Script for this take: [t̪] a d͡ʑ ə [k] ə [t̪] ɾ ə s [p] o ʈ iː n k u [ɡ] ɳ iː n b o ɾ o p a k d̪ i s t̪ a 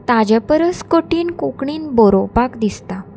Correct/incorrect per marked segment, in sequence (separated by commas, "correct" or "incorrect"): correct, incorrect, incorrect, incorrect, incorrect